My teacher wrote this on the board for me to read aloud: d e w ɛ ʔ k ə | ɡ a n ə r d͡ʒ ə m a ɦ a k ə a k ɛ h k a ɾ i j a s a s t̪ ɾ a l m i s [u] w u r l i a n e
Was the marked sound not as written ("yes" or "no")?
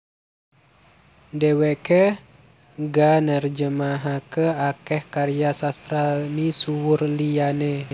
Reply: no